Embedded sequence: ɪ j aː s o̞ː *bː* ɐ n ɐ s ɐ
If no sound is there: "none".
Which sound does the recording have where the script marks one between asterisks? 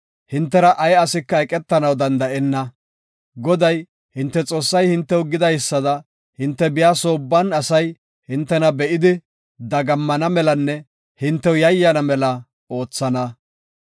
bː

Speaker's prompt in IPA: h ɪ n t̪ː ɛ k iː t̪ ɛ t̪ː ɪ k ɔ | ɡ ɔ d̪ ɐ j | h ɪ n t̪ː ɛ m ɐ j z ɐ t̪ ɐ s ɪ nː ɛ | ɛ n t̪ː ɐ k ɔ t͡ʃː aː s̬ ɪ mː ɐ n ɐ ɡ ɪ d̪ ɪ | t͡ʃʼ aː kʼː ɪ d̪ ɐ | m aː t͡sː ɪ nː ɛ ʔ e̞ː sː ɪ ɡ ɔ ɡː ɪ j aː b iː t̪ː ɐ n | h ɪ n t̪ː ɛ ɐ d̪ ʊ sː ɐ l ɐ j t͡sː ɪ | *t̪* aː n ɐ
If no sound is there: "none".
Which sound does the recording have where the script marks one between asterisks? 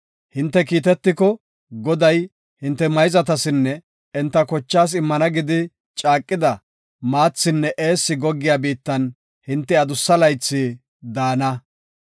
d̪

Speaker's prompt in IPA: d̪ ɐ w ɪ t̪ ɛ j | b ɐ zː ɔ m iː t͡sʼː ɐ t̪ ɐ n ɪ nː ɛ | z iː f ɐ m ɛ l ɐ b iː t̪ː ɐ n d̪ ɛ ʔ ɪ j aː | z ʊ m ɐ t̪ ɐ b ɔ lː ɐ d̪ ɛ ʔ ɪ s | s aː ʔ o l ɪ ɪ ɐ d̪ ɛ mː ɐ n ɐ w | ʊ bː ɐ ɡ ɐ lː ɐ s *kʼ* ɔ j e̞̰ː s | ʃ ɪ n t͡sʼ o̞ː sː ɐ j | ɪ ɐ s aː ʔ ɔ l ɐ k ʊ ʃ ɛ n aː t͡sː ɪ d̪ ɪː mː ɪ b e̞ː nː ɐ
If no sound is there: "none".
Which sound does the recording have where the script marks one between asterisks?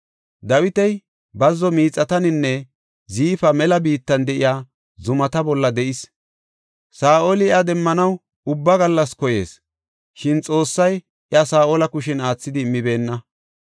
k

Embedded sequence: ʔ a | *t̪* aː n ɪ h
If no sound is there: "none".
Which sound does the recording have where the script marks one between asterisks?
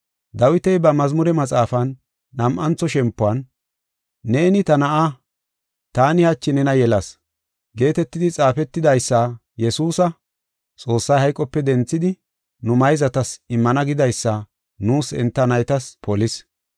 t̪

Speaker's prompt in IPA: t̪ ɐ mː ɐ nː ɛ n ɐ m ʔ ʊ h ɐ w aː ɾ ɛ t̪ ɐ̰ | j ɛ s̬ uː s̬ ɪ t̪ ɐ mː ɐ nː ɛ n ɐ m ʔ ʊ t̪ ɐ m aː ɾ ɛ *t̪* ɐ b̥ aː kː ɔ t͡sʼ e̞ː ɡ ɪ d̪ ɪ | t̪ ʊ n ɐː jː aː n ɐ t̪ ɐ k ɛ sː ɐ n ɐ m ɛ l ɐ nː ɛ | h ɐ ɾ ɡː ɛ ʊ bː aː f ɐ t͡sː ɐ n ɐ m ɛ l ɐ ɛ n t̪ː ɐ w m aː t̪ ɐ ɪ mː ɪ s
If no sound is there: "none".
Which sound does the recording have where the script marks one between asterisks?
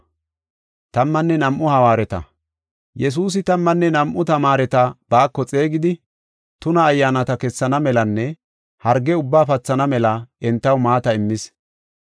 t̪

